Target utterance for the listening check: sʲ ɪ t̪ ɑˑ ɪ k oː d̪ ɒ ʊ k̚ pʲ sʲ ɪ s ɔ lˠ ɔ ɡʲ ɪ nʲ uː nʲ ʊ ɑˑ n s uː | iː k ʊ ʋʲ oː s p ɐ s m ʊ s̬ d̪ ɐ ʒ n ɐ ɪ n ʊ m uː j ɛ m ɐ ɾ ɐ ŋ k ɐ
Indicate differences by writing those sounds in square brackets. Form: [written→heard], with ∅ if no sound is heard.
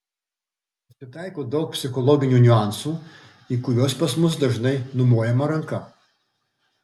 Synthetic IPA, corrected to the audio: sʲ ɪ t̪ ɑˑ ɪ k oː d̪ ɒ ʊ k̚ pʲ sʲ ɪ [s→x] ɔ lˠ ɔ ɡʲ ɪ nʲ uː nʲ ʊ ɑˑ n s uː | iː k ʊ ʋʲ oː s p ɐ s m ʊ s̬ d̪ ɐ ʒ n ɐ ɪ n ʊ m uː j ɛ m ɐ ɾ ɐ ŋ k ɐ